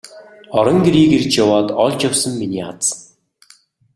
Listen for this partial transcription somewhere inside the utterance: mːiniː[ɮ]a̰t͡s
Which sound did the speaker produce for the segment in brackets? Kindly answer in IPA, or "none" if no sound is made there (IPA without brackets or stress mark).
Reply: none